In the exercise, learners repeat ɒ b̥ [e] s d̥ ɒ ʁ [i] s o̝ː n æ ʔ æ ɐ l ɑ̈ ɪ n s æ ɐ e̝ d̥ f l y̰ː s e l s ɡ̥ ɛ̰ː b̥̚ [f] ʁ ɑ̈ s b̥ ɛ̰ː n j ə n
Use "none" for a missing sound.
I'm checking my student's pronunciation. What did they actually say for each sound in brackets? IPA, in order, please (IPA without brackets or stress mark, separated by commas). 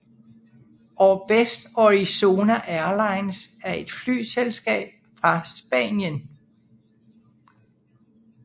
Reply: e, i, f